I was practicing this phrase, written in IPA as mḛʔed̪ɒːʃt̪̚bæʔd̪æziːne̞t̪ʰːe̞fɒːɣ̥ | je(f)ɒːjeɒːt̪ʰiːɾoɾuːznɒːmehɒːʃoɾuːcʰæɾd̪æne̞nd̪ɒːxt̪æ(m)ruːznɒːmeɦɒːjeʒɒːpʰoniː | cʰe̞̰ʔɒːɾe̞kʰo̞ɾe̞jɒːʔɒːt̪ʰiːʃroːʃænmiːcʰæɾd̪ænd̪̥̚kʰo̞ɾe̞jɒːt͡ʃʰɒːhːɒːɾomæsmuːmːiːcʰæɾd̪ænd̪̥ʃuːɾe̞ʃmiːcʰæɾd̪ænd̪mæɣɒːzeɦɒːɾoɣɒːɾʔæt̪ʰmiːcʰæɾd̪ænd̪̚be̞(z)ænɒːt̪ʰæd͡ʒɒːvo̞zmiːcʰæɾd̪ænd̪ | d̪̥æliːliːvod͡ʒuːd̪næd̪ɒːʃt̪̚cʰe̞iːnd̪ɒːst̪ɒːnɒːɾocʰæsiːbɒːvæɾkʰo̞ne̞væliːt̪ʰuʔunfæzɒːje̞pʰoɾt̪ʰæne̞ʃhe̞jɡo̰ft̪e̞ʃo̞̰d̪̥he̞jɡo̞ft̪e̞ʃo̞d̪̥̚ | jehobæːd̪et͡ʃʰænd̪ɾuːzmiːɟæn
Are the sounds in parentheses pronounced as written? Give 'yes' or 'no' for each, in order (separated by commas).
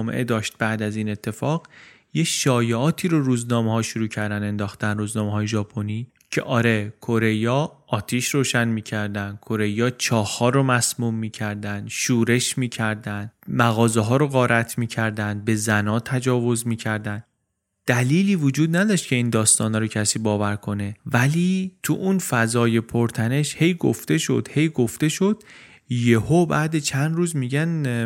no, no, yes